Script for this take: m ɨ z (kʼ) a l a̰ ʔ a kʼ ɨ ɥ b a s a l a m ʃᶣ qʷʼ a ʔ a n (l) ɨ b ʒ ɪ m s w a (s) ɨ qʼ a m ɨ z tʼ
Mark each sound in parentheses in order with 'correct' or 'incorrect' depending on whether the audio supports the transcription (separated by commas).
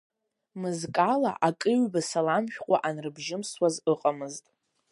correct, incorrect, incorrect